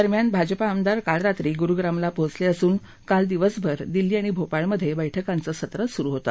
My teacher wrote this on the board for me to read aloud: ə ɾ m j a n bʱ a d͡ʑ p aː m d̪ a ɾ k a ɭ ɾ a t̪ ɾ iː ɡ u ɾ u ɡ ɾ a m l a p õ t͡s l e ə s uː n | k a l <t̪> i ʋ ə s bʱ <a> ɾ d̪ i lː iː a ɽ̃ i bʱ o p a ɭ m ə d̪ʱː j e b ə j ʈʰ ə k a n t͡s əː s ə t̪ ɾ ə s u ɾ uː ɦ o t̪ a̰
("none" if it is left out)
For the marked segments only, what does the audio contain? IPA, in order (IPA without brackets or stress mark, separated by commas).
d̪, ə